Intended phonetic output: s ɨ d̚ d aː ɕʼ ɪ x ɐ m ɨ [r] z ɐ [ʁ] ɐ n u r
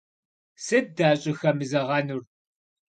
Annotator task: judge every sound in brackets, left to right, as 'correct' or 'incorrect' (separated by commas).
incorrect, correct